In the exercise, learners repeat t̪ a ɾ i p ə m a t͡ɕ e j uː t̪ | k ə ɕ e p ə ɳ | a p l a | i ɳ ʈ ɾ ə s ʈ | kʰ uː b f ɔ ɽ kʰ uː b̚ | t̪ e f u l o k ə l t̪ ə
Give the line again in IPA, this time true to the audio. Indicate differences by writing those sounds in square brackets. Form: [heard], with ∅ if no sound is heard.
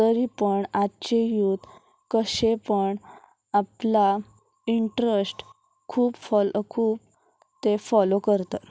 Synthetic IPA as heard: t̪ [ə] ɾ i p ə [ɳ] a t͡ɕ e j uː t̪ | k ə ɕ e p ə ɳ | a p l a | i ɳ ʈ ɾ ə s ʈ | kʰ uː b f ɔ [l] kʰ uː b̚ | t̪ e f [ɔ] l o k ə [ɾ] t̪ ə